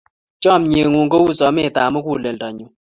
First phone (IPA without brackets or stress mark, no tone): t͡ʃ